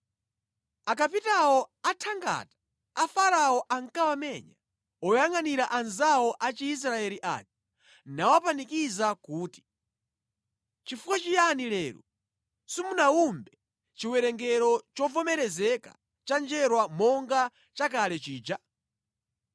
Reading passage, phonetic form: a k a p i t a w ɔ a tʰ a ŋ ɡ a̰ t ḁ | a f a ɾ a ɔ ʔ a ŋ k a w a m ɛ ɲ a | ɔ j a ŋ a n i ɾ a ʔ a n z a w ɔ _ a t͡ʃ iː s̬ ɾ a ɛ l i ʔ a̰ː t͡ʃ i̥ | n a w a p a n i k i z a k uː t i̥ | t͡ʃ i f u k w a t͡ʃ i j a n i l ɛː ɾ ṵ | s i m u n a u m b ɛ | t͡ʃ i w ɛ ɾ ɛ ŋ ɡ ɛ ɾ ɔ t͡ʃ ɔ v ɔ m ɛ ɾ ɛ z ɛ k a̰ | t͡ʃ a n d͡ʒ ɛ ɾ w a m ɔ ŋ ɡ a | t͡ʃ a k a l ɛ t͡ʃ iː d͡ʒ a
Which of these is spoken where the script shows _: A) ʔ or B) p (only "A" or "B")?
A